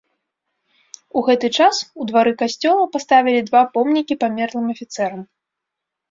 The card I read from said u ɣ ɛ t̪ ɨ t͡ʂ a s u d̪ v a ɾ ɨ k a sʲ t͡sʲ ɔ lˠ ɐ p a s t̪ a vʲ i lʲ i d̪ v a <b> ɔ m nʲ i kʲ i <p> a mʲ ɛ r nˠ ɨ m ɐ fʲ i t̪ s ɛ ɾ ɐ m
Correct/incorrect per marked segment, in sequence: incorrect, correct

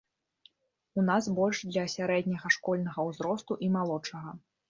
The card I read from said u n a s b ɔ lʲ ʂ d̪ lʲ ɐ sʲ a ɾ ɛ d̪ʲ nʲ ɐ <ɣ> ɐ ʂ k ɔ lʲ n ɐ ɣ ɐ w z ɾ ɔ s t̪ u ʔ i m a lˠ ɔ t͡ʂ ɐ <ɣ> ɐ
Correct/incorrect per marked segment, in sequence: correct, correct

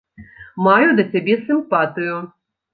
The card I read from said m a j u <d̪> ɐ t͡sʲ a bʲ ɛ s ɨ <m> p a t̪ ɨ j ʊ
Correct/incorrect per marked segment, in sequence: correct, correct

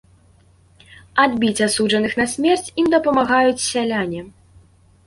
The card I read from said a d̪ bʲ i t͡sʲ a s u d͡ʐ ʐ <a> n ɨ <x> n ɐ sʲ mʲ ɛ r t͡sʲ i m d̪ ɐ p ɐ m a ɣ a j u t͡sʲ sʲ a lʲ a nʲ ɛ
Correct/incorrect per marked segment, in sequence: incorrect, correct

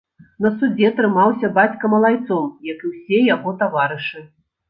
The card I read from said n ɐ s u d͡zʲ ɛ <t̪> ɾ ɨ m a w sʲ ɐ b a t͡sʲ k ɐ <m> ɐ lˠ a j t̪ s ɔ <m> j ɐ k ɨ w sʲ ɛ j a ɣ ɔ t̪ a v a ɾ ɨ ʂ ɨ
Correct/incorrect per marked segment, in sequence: correct, correct, correct

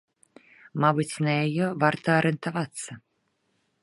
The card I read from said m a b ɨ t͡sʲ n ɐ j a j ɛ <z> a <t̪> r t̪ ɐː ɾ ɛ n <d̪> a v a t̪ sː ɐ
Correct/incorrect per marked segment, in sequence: incorrect, incorrect, incorrect

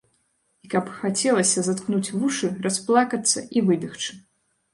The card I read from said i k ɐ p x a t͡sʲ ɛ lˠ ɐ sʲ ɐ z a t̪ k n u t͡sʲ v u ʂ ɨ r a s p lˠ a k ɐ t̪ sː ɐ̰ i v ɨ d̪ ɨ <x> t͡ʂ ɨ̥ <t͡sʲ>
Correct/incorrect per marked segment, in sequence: correct, incorrect

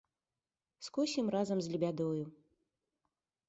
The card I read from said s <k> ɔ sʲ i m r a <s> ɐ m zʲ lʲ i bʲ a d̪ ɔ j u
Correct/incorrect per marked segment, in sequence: correct, incorrect

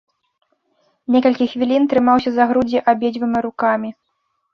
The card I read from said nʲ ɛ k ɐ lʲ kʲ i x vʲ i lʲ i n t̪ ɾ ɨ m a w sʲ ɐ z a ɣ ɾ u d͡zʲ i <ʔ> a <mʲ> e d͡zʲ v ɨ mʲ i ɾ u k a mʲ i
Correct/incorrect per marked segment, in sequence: correct, incorrect

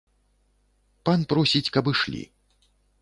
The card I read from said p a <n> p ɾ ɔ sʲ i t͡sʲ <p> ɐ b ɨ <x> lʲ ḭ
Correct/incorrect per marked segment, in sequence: correct, incorrect, incorrect

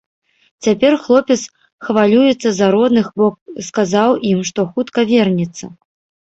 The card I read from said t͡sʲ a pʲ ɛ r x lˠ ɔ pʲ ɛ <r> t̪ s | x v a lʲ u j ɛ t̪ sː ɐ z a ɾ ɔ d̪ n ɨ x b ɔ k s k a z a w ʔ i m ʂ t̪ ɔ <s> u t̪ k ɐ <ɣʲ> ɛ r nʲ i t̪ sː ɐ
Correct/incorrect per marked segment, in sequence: incorrect, incorrect, incorrect

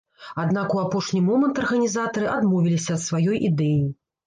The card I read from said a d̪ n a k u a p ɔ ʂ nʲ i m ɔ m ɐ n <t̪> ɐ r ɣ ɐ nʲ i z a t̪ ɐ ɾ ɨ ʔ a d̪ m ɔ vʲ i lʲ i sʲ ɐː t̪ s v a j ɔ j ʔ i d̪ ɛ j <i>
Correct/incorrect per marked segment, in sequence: correct, correct

